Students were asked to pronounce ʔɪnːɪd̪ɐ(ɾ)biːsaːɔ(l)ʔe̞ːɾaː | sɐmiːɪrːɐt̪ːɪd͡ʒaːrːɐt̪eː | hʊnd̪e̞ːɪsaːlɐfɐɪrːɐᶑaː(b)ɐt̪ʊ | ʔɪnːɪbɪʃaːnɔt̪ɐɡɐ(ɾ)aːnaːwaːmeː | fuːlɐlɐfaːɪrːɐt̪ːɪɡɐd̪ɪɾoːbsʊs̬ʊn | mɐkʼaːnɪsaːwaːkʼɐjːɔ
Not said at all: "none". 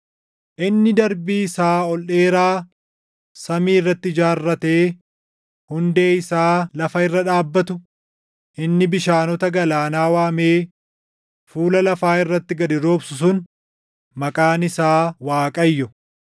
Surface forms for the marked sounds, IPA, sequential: ɾ, l, bː, l

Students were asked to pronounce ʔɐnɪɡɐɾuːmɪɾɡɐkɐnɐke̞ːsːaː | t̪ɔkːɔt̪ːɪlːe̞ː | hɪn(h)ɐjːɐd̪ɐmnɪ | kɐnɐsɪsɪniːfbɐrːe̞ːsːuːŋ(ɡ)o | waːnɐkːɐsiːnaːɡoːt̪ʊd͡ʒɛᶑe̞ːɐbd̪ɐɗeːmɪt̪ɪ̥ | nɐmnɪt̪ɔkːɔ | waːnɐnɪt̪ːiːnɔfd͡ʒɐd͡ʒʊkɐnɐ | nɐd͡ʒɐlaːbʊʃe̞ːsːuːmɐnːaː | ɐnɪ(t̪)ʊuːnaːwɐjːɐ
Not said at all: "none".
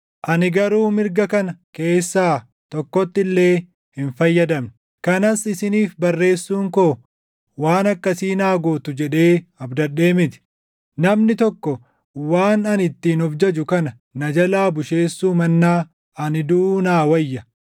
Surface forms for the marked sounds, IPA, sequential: f, k, d̪

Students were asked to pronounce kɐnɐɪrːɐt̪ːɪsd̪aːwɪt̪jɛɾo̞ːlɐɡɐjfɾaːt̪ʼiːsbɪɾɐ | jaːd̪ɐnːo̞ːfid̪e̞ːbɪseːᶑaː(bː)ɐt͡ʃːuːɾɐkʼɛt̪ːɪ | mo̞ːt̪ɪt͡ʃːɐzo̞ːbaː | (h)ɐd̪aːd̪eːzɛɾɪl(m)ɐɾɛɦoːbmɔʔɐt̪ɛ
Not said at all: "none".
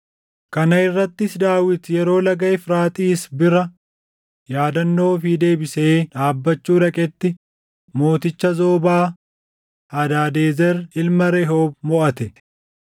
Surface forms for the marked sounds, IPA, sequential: bː, h, m

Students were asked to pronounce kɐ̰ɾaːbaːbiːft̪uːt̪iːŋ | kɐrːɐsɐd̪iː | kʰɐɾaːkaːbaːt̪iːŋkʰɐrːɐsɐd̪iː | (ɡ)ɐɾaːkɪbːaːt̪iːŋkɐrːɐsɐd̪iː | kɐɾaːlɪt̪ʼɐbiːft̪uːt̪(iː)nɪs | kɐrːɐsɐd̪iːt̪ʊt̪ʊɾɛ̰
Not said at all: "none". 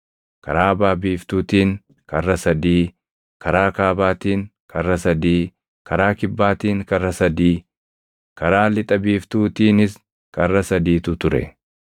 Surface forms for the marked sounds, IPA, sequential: k, iː

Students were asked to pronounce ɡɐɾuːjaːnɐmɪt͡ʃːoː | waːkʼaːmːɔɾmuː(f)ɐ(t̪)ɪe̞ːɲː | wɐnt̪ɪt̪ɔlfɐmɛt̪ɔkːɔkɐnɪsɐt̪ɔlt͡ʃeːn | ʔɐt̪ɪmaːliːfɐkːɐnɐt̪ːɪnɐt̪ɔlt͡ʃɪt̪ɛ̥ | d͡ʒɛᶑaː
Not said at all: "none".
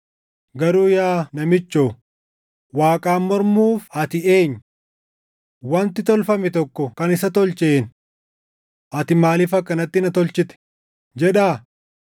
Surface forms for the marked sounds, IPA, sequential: f, t̪

